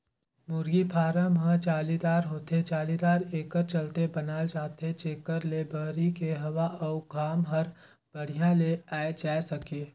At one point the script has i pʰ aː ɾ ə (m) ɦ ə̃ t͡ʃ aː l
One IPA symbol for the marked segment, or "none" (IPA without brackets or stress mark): m